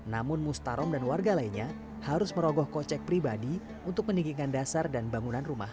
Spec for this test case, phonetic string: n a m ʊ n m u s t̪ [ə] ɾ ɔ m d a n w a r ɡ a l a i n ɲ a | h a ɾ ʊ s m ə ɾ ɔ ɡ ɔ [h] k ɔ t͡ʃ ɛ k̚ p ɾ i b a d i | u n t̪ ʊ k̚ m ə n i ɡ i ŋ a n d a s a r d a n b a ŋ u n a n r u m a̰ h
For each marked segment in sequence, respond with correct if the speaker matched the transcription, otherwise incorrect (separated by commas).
incorrect, correct